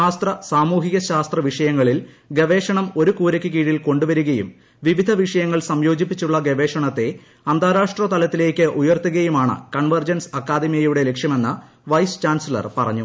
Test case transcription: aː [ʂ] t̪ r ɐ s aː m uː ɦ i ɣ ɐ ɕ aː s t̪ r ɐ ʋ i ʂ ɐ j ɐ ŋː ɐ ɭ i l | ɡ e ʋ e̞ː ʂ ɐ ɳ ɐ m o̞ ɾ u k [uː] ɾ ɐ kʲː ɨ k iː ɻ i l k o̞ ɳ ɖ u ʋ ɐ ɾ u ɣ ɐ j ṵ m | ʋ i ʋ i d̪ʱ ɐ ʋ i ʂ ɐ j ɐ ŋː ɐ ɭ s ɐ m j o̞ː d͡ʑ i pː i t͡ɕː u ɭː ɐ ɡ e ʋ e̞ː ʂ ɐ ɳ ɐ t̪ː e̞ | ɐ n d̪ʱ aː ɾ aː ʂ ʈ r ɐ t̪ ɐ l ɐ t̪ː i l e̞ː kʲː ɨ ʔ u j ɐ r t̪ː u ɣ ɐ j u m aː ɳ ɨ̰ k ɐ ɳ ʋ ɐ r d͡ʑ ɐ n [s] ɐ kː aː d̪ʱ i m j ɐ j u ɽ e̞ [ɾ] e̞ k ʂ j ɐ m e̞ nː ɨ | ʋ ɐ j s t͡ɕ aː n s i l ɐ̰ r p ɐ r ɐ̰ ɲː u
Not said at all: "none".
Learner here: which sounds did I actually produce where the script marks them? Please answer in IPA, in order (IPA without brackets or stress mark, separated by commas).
s, uː, s, l